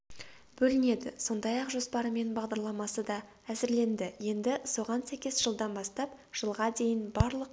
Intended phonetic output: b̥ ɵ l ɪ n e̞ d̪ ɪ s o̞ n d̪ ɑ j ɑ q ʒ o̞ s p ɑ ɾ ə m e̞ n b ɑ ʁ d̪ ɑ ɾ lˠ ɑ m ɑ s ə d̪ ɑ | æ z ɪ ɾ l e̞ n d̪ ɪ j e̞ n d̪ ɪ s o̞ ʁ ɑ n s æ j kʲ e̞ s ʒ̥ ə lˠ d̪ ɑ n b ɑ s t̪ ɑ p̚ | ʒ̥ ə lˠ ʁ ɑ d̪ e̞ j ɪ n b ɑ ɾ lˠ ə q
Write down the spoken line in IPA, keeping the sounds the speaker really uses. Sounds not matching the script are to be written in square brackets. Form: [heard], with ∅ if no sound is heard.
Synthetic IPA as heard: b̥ ɵ l ɪ n e̞ d̪ ɪ s o̞ n d̪ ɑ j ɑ q ʒ o̞ s p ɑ ɾ ə m e̞ n b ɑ ʁ d̪ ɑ ɾ lˠ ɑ m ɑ s ə d̪ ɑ | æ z ɪ ɾ l e̞ n d̪ ɪ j e̞ n d̪ ɪ s o̞ ʁ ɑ n s æ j kʲ e̞ s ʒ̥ ə lˠ d̪ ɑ n b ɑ s t̪ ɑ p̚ | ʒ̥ ə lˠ ʁ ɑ d̪ e̞ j ɪ n b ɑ ɾ lˠ ə q